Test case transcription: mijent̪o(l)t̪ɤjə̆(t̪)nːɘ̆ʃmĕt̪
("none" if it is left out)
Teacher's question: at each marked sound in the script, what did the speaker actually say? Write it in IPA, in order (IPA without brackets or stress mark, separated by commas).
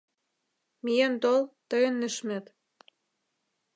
l, none